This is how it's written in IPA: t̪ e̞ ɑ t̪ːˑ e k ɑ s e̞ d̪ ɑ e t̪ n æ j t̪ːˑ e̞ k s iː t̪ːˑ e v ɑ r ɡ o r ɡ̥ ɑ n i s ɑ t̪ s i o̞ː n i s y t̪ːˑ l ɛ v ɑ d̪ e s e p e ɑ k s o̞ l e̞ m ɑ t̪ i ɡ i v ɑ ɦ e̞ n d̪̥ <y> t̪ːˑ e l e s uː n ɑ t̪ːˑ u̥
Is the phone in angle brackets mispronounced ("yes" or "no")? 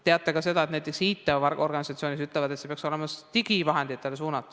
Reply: yes